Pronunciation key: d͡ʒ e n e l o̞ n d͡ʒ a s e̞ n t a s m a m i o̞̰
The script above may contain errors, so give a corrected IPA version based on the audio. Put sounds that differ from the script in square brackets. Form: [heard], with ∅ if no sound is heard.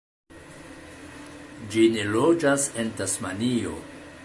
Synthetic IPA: d͡ʒ [i] n e l o̞ [∅] d͡ʒ a s e̞ n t a s m a [n] i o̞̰